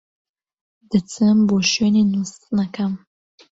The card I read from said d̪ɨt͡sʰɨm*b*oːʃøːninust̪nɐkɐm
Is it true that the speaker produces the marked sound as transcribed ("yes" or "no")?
yes